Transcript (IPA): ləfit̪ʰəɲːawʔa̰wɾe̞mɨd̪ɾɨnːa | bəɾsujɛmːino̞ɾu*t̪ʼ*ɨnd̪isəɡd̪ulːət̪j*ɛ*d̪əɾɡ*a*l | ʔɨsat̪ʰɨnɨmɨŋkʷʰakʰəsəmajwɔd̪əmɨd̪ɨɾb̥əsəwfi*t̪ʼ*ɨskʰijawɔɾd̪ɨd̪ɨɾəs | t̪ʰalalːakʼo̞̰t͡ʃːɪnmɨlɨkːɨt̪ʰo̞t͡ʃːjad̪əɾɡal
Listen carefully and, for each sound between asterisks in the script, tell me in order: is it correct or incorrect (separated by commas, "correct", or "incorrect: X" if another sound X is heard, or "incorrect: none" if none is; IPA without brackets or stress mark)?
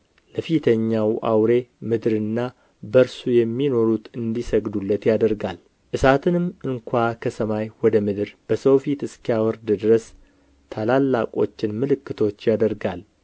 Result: incorrect: t̪, incorrect: a, correct, incorrect: t̪